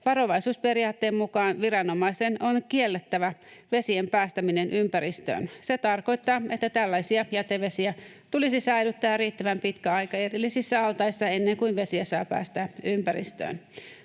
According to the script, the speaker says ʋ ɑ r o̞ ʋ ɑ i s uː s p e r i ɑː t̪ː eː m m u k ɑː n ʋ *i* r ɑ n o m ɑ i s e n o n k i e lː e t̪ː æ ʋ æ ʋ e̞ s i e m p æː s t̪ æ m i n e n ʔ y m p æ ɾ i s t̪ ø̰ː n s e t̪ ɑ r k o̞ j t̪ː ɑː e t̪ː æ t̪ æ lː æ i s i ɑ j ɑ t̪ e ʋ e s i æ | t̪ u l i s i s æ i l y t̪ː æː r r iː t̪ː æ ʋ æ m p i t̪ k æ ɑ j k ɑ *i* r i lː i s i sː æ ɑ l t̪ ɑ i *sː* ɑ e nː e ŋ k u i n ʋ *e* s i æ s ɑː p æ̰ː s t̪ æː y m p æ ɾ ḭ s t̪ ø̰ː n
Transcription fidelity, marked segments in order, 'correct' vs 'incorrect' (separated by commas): correct, incorrect, correct, correct